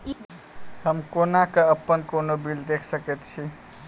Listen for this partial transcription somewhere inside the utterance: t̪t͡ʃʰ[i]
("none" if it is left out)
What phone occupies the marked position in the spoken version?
i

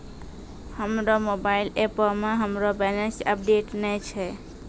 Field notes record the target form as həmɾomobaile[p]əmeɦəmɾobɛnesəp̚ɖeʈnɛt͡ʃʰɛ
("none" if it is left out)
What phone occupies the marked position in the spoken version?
p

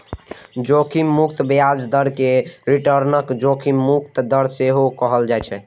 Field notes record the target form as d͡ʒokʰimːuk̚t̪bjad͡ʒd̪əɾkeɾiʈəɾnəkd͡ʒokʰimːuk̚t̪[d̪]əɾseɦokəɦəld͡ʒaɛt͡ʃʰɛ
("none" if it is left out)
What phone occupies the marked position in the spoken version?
d̪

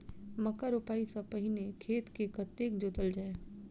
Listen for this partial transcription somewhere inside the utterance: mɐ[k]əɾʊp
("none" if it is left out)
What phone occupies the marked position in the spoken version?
k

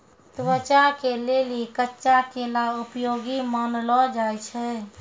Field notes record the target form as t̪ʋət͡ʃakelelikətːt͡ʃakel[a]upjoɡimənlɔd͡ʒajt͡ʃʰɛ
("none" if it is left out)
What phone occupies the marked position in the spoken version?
a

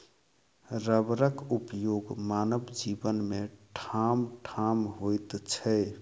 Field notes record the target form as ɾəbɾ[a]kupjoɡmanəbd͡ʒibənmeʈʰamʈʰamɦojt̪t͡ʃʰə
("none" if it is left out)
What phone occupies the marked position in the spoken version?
ə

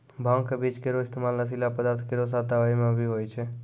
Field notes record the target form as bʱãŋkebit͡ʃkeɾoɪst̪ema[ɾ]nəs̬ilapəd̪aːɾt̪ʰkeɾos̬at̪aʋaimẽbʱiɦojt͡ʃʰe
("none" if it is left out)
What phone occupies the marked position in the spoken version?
l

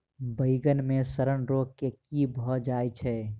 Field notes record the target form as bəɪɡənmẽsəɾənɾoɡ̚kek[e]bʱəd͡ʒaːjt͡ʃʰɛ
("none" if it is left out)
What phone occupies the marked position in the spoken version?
i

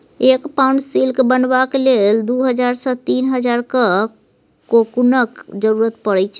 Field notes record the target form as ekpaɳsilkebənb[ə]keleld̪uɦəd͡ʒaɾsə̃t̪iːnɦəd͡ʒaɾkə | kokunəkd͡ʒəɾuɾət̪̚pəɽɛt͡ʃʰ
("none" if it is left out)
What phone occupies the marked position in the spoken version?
a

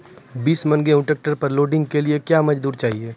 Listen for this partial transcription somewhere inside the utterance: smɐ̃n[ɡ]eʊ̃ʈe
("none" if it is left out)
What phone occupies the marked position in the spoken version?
ɡ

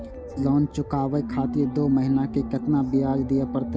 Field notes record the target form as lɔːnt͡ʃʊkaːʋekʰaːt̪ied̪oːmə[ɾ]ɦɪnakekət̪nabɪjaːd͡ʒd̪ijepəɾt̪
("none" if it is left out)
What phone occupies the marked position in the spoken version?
none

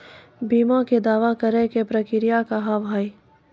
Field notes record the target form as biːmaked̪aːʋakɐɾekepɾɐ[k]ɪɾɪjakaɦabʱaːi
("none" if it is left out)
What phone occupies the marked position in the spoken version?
k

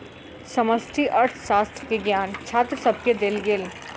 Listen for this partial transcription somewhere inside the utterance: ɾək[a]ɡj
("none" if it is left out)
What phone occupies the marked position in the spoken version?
e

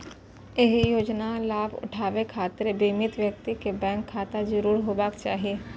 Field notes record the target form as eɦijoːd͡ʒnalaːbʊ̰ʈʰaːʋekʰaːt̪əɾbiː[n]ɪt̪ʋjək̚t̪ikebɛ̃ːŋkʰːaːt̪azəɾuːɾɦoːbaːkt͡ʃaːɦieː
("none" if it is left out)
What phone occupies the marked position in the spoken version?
m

